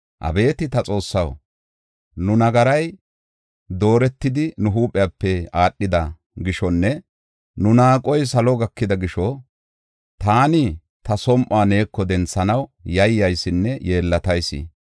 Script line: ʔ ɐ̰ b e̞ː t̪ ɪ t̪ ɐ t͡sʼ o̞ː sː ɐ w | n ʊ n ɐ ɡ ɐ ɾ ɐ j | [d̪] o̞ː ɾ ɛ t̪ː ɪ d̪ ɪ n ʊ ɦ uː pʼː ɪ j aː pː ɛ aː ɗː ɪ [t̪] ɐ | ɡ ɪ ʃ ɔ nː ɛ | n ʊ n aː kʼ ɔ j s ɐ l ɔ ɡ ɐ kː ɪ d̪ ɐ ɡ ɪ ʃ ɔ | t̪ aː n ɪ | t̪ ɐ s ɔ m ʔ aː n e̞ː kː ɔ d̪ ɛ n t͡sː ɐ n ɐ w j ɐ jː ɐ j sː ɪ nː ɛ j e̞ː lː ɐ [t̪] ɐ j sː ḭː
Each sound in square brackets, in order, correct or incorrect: correct, incorrect, correct

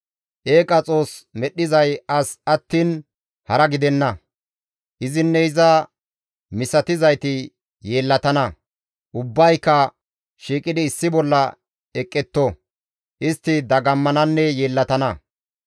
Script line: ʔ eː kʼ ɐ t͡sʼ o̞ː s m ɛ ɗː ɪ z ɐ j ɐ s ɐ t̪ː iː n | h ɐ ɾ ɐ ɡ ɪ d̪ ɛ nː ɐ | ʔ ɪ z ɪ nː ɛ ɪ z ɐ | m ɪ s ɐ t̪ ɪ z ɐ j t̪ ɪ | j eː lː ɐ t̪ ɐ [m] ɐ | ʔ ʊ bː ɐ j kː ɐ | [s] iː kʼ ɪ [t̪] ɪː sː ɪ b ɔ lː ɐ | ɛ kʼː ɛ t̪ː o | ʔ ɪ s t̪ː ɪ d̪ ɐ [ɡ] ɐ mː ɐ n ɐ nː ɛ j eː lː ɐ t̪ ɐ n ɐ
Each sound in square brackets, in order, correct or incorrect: incorrect, incorrect, incorrect, correct

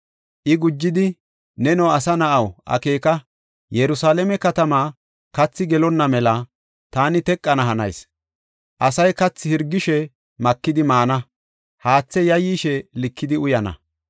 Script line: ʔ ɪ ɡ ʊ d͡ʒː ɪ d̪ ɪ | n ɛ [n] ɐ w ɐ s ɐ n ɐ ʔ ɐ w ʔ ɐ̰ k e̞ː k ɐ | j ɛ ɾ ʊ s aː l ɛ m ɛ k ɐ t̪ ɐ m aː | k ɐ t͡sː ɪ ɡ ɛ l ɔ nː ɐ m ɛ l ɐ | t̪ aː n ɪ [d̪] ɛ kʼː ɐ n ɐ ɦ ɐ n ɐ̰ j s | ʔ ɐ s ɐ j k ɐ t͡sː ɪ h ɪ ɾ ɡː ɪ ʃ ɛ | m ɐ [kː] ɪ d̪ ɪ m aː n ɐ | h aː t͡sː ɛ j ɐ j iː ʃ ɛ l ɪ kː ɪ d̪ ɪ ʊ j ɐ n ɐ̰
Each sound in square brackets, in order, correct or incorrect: correct, incorrect, correct

